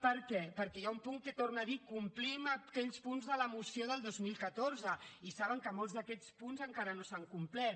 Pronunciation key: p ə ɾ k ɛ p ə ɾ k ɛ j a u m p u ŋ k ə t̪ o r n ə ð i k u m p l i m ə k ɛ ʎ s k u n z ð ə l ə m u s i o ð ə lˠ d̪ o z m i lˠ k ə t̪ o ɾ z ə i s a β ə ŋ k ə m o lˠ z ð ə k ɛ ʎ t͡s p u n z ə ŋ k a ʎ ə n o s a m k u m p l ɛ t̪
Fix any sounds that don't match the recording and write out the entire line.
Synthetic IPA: p ə ɾ k ɛ p ə ɾ k ɛ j a u m p u ŋ k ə t̪ o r n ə ð i k u m p l i m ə k ɛ ʎ s p u n z ð ə l ə m u s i o ð ə lˠ d̪ o z m i lˠ k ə t̪ o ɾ z ə i s a β ə ŋ k ə m o lˠ z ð ə k ɛ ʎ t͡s p u n z ə ŋ k a ɾ ə n o s a ŋ k u m p l ɛ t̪